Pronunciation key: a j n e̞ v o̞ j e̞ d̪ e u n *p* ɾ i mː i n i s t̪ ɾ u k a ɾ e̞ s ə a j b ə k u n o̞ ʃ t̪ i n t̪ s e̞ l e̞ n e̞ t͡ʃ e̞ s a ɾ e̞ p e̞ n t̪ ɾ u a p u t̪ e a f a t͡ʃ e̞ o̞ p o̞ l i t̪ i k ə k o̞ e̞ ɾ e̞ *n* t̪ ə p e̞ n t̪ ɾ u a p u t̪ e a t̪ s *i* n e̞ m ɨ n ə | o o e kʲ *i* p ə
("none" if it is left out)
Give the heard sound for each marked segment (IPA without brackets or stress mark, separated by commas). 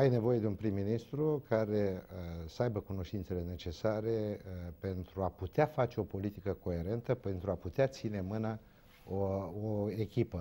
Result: p, n, i, i